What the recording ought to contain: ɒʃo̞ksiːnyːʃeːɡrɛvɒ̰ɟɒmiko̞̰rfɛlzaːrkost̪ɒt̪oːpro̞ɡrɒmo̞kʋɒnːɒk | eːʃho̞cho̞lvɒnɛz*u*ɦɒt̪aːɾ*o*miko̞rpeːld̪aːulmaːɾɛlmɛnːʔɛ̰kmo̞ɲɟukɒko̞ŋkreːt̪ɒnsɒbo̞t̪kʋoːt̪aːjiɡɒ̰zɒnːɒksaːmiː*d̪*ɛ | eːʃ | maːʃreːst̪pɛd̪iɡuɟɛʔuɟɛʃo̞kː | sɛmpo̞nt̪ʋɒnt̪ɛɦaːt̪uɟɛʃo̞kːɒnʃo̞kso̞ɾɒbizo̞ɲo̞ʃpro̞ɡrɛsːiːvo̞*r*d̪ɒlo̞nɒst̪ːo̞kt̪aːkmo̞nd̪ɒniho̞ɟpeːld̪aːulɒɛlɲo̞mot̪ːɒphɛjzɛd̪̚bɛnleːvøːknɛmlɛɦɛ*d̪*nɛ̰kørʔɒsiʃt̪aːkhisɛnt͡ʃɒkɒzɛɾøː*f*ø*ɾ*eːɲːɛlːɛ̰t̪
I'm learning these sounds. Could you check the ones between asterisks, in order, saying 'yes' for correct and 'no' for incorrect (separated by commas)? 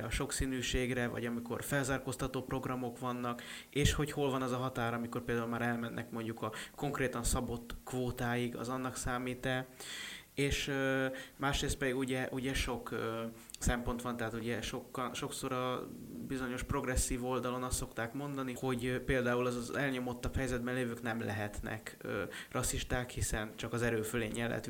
no, no, no, no, no, yes, no